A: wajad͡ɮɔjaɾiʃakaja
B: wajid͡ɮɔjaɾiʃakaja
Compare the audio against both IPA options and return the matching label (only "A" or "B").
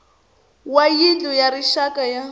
B